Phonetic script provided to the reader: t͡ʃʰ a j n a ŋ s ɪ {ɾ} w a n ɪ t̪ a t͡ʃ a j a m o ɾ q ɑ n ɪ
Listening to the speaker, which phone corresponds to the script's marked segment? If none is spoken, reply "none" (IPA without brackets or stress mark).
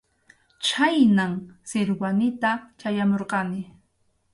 ɾ